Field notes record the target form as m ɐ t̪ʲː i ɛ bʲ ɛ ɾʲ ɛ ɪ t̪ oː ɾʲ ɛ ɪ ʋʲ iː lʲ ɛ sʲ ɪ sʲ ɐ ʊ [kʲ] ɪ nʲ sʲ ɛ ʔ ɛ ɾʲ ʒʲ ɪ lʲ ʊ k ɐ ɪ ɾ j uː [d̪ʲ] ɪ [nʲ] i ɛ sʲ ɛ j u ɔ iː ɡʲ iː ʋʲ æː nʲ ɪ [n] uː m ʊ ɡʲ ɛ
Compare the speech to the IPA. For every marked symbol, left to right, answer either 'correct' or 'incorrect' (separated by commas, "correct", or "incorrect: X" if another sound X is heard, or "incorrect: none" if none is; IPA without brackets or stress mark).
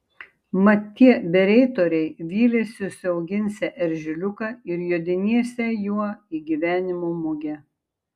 incorrect: ɡʲ, correct, correct, incorrect: m